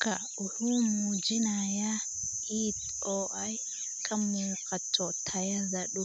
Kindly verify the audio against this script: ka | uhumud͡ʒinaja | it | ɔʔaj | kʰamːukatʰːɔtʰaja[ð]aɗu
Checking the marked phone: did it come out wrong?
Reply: yes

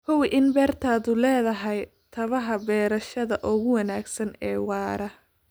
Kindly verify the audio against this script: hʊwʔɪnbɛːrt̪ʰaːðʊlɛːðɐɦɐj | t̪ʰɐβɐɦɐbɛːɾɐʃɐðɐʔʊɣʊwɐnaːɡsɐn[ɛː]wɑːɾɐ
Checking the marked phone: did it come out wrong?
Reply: no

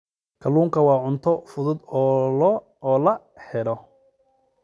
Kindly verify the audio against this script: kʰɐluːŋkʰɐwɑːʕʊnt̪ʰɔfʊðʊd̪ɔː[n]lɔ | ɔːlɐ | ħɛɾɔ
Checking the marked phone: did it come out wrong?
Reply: yes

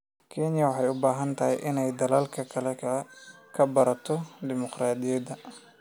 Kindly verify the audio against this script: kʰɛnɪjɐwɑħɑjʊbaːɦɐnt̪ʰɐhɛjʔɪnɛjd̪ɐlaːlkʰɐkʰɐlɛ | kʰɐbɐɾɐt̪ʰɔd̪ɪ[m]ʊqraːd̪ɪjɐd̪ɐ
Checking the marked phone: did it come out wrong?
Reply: no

